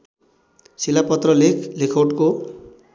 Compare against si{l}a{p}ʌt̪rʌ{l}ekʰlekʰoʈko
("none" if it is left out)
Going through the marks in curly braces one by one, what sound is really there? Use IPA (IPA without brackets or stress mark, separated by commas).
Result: l, p, l